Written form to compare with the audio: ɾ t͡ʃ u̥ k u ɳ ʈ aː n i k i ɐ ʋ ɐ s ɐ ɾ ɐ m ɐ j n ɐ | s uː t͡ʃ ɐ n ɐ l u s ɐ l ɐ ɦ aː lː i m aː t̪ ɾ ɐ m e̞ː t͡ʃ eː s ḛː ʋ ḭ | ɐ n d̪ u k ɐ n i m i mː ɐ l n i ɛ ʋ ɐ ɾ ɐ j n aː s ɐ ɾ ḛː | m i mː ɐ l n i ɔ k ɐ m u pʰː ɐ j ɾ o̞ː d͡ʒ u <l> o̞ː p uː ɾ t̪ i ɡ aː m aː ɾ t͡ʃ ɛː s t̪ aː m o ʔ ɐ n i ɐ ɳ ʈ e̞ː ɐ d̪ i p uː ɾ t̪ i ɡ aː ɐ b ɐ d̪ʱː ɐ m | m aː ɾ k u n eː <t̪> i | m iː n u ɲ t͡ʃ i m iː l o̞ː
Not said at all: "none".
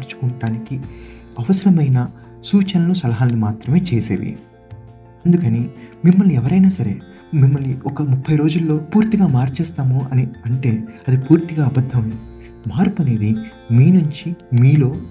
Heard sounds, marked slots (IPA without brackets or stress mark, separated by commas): lː, d̪